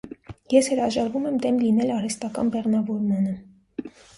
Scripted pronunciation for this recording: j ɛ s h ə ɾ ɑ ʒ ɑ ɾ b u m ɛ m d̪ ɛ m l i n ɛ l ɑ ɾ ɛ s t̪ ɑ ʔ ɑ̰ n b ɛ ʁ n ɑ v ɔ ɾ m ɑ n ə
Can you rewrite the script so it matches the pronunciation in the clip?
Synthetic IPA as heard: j ɛ s h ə ɾ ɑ ʒ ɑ ɾ v u m ɛ m d̪ ɛ m l i n ɛ l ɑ ɾ ɛ s t̪ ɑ k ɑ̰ n b ɛ ʁ n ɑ v ɔ ɾ m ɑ n ə

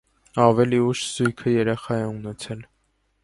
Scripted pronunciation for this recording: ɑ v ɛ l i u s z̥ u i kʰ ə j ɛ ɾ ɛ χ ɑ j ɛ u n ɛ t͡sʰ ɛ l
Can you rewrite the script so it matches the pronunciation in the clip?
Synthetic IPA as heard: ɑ v ɛ l i u ʃ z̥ u j kʰ ə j ɛ ɾ ɛ χ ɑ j ɛ u n ɛ t͡sʰ ɛ l

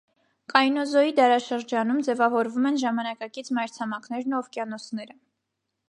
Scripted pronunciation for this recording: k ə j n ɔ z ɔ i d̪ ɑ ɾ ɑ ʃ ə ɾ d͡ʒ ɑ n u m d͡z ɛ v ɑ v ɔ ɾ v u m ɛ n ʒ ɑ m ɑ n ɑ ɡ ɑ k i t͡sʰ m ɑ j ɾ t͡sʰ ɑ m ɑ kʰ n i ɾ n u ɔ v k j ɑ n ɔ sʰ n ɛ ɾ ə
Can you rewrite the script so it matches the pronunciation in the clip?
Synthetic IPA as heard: k ɑ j n ɔ z ɔ i d̪ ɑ ɾ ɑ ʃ ə ɾ d͡ʒ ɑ n u m d͡z ɛ v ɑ v ɔ ɾ v u m ɛ n ʒ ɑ m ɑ n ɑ k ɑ k i t͡sʰ m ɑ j ɾ t͡sʰ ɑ m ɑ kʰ n ɛ ɾ n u ɔ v k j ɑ n ɔ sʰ n ɛ ɾ ə

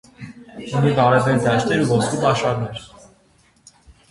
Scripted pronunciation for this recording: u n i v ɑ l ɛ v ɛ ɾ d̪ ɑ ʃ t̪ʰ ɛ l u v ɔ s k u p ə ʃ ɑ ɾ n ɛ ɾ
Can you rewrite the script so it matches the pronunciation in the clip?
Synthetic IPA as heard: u n i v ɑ ɾ ɛ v ɛ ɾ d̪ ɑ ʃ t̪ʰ ɛ ɾ u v ɔ s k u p ɑ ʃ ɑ ɾ n ɛ ɾ

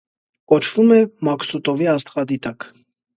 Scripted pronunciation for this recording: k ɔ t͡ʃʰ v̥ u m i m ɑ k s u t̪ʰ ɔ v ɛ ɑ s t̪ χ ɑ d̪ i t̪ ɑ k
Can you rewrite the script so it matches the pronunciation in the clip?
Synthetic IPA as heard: k ɔ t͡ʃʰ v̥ u m ɛ m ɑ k s u t̪ ɔ v i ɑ s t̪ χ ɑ d̪ i t̪ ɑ k

